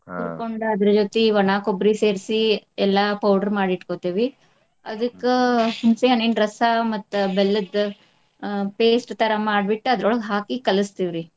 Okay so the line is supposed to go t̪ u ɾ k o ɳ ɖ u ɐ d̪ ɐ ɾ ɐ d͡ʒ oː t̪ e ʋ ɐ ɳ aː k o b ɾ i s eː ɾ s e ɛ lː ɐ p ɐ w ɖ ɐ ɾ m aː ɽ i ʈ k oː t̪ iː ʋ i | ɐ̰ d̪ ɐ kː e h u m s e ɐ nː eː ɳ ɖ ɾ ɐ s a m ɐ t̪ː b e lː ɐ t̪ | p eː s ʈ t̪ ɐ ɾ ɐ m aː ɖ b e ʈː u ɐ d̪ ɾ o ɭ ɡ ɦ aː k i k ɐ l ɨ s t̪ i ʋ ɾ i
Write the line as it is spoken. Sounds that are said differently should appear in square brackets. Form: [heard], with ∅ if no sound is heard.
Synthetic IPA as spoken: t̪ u ɾ k o ɳ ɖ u ɐ d̪ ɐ ɾ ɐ d͡ʒ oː t̪ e ʋ ɐ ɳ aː k o b ɾ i s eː ɾ s [i] ɛ lː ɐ p ɐ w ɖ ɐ ɾ m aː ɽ i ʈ k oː t̪ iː ʋ i | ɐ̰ d̪ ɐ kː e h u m s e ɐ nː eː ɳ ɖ ɾ ɐ s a m ɐ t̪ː b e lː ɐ [d̪] | p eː s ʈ t̪ ɐ ɾ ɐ m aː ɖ b [i] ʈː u ɐ d̪ ɾ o ɭ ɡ ɦ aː k i k ɐ l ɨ s t̪ i ʋ ɾ i